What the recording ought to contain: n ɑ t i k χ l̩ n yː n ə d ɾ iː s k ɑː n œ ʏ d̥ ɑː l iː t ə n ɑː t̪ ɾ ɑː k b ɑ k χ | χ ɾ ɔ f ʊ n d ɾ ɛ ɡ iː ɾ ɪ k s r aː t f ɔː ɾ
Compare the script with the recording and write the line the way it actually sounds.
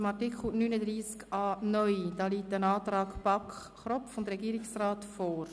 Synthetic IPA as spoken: m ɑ t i k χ l̩ n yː n ə d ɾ iː s k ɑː n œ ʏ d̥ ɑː l iː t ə n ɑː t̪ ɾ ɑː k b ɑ k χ | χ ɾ ɔ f ʊ n d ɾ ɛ ɡ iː ɾ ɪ k s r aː t f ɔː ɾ